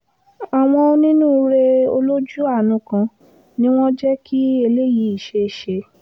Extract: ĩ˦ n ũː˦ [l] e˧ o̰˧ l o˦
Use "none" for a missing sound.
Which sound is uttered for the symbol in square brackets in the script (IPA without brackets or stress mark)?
ɾ